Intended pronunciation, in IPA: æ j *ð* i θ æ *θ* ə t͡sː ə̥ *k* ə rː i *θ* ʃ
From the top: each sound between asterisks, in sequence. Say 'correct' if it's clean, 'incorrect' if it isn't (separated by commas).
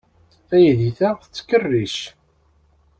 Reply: correct, correct, correct, incorrect